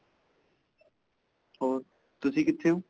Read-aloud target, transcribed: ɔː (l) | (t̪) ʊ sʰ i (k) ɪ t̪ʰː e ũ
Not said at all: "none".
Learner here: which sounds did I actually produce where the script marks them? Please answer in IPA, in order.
ɾ, t̪, k

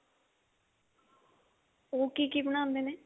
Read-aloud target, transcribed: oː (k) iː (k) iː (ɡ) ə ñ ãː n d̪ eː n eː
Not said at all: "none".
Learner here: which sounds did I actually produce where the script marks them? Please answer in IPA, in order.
k, k, b

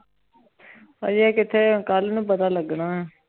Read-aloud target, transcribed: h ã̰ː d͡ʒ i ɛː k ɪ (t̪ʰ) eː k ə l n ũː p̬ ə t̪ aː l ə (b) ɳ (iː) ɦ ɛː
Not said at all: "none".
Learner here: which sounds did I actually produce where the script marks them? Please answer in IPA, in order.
t̪ʰ, ɡ, aː

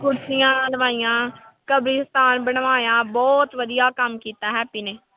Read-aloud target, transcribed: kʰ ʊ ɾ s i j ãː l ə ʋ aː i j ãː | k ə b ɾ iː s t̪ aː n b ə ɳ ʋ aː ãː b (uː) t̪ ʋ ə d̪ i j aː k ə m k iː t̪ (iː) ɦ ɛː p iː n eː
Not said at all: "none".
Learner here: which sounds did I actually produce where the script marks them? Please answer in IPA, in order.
ɔː, aː

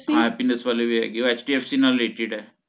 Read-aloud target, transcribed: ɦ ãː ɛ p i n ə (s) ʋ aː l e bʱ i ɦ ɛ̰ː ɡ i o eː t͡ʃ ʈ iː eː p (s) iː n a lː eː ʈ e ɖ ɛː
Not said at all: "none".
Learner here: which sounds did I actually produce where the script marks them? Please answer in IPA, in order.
s, s

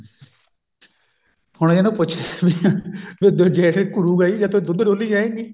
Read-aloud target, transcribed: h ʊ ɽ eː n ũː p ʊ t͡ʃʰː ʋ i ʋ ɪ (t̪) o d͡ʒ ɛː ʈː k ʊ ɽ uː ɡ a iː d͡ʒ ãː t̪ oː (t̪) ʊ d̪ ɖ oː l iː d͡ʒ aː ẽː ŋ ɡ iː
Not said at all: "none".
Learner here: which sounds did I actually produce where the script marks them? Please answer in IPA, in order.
d̪, d̪

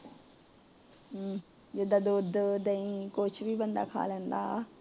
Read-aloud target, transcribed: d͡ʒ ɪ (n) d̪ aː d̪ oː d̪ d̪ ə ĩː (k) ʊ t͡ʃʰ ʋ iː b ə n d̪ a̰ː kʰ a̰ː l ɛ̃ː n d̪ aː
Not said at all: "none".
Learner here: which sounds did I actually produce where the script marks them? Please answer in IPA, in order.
none, k

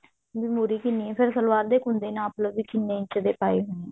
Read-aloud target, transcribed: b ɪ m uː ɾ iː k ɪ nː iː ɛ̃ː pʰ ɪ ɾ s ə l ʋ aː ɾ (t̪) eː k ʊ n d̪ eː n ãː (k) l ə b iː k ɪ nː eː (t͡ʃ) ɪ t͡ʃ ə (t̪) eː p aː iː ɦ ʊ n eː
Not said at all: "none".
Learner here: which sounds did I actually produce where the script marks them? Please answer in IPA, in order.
d̪, p, none, d̪

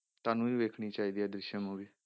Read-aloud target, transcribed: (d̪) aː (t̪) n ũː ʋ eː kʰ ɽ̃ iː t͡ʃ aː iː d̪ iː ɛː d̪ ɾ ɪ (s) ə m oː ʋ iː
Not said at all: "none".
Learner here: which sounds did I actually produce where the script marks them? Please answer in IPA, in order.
t̪, none, ʃ

